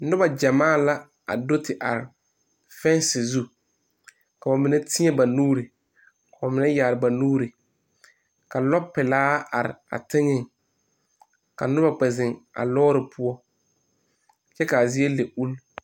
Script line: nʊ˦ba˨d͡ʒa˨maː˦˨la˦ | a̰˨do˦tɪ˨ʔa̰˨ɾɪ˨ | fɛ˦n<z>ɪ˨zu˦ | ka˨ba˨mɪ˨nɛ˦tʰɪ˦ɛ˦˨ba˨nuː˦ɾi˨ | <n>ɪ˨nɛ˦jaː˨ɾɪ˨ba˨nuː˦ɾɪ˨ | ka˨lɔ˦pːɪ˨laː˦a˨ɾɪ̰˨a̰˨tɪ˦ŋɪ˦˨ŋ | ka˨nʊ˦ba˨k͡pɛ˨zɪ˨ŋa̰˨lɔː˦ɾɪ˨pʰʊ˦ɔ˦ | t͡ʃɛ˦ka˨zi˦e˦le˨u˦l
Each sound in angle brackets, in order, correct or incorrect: incorrect: s, incorrect: m

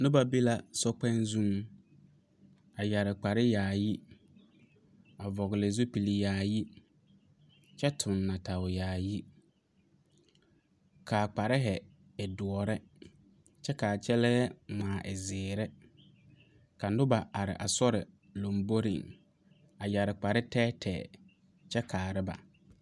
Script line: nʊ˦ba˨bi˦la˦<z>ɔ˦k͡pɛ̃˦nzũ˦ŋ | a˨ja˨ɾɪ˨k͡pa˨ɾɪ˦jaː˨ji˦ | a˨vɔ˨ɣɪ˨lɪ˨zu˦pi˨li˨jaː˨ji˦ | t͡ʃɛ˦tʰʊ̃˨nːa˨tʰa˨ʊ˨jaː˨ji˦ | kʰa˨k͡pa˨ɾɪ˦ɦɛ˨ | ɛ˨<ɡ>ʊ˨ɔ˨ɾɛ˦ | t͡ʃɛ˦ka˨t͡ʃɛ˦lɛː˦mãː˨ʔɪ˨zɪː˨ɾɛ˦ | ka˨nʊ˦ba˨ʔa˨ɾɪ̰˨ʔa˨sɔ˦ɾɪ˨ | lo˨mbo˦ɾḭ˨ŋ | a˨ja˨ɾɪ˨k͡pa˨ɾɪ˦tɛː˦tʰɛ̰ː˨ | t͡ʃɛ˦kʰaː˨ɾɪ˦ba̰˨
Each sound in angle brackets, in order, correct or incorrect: incorrect: s, incorrect: d

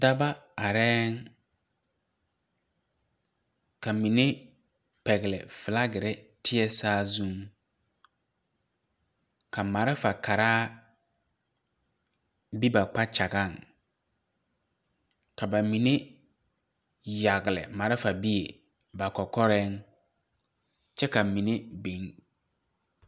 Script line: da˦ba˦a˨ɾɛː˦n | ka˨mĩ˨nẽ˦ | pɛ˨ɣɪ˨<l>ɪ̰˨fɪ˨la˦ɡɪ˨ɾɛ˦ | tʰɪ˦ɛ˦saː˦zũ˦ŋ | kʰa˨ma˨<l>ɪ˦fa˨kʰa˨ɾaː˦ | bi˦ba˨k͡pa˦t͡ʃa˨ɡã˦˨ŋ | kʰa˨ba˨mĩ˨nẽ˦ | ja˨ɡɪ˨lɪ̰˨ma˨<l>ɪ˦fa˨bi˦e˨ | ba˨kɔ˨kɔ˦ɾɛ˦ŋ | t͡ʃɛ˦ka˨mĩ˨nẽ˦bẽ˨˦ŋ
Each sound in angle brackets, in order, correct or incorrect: correct, incorrect: ɾ, incorrect: ɾ

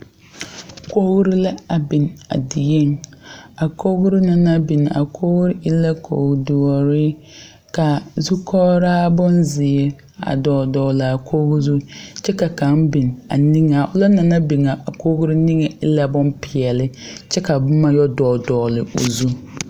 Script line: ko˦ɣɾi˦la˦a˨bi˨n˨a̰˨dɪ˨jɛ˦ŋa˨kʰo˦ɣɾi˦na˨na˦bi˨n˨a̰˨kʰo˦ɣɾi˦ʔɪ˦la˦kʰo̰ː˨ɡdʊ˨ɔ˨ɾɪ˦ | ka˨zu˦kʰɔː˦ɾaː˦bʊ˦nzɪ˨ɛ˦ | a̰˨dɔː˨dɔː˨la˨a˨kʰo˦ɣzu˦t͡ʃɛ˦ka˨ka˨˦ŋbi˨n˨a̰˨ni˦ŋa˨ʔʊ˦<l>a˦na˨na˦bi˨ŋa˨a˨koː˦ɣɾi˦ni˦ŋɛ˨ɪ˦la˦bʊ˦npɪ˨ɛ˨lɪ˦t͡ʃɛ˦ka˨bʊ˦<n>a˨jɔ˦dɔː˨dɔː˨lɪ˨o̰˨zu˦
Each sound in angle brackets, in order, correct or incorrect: correct, incorrect: m

